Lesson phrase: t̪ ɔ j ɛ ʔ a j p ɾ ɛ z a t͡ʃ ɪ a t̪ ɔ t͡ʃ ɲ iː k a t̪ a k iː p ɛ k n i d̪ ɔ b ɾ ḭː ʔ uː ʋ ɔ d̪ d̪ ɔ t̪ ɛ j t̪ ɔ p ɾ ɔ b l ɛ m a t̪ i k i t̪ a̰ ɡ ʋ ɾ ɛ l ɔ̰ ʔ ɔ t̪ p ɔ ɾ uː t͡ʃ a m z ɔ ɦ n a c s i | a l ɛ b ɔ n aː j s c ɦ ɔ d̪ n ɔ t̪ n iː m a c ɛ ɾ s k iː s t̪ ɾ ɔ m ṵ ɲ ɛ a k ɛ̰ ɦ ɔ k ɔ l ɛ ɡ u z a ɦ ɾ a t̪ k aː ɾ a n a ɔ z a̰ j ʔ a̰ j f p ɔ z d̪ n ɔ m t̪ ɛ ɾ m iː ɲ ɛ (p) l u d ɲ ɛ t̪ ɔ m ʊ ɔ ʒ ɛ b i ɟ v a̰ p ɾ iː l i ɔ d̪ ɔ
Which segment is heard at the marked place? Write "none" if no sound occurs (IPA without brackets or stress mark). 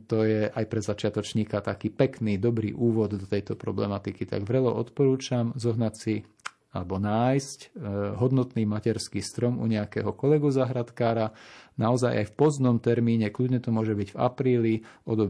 k